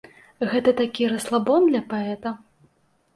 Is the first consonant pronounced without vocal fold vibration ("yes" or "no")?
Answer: no